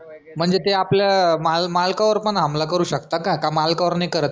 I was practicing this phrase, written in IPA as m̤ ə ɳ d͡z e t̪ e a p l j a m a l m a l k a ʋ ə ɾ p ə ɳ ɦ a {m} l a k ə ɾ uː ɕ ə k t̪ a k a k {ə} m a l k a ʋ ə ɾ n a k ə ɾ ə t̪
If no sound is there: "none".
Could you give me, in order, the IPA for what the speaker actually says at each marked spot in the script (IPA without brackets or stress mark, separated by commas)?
m, a